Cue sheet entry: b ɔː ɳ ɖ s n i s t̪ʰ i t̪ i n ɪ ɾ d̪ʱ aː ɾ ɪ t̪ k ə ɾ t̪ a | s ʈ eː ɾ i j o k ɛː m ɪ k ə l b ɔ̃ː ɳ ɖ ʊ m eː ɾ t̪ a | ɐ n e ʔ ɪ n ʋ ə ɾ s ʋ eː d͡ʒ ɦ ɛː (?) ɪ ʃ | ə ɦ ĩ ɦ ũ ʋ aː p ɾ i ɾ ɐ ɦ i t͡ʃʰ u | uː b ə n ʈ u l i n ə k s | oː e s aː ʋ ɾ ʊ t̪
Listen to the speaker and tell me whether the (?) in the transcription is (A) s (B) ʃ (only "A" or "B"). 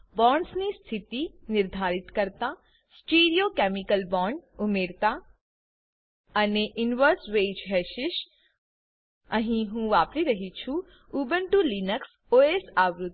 B